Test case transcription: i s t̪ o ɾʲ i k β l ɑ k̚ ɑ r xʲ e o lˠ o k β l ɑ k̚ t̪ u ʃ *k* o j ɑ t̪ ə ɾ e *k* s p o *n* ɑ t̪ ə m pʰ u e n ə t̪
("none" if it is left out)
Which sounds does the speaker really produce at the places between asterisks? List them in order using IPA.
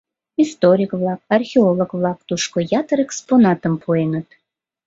k, k, n

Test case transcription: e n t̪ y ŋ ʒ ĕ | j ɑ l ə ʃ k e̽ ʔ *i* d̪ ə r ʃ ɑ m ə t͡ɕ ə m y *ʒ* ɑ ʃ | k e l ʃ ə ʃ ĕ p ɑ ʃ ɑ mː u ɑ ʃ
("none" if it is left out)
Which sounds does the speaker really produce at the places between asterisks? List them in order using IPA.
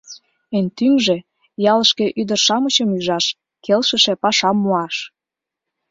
y, ʒ

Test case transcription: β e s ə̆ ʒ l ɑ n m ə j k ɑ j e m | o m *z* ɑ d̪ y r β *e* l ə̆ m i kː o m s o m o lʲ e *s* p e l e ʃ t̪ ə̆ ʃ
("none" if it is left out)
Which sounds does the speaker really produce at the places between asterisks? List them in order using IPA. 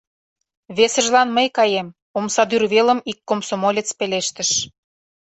s, e, t͡s

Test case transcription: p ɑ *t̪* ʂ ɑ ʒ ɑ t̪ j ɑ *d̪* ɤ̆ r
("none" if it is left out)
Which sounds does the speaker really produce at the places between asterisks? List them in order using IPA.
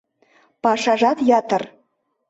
none, t̪

